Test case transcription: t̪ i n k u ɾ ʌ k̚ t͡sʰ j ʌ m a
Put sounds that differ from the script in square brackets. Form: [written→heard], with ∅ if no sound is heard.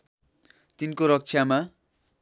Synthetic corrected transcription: t̪ i n k [u→o] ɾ ʌ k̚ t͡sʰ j [ʌ→a] m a